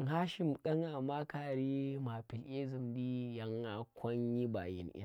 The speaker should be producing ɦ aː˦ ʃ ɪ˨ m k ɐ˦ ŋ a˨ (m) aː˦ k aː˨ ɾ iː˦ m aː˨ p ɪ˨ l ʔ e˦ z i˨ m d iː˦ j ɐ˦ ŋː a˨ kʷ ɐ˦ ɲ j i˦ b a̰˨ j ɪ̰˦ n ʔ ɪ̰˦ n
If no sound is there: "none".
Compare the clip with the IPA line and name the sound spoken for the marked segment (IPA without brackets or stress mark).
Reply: m